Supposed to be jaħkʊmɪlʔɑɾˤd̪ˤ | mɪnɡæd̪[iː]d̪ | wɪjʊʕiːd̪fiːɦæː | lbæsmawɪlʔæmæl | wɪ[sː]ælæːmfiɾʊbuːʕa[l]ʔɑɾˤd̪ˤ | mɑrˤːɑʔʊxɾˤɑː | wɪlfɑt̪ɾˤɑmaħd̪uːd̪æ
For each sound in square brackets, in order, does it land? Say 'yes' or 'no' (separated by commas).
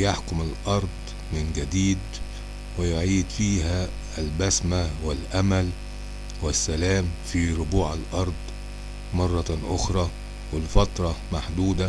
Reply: yes, yes, yes